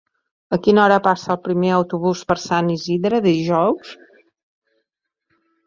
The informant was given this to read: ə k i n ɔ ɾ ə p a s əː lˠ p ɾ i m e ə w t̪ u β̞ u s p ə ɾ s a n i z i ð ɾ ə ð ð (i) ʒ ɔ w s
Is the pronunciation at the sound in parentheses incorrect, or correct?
correct